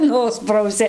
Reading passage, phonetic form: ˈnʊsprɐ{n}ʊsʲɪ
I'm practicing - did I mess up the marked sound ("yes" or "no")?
yes